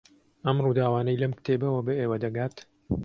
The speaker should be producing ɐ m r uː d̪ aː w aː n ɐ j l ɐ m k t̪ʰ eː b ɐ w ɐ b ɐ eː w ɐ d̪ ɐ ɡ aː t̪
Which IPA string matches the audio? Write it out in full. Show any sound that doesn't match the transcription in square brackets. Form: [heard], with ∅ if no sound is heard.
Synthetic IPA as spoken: ɐ m r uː d̪ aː w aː n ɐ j l ɐ m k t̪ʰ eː b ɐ w ɐ b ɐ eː w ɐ d̪ ɐ ɡ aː t̪